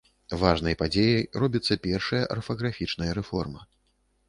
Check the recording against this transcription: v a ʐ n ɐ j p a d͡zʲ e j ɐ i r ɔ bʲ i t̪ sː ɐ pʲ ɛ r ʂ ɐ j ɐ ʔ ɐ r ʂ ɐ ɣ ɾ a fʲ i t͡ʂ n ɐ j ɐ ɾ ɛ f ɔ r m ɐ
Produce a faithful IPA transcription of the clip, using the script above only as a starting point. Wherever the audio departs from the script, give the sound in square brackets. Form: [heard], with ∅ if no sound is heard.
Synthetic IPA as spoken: v a ʐ n ɐ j p a d͡zʲ e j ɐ [j] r ɔ bʲ i t̪ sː ɐ pʲ ɛ r ʂ ɐ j ɐ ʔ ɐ r [f] ɐ ɣ ɾ a fʲ i t͡ʂ n ɐ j ɐ ɾ ɛ f ɔ r m ɐ